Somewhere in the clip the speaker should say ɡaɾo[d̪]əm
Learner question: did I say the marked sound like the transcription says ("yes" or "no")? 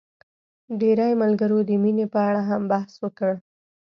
yes